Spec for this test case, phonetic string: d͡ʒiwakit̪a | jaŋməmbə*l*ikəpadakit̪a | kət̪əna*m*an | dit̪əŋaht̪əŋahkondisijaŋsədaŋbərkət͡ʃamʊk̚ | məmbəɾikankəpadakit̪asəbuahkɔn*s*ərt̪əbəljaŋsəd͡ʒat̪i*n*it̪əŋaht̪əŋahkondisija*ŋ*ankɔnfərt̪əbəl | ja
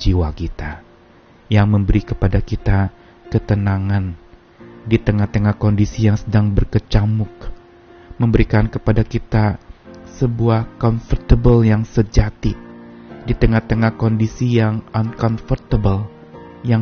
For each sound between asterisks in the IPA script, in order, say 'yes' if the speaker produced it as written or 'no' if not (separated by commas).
no, no, no, no, yes